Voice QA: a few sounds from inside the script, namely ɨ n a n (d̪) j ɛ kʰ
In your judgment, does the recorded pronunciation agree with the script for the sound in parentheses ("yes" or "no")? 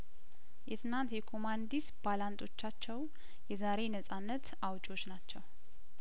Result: no